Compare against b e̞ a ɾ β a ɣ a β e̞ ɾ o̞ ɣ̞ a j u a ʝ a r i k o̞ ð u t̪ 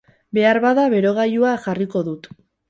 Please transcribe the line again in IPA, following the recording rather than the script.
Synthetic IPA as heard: b e̞ a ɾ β a ð a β e̞ ɾ o̞ ɣ̞ a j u a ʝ a r i k o̞ ð u t̪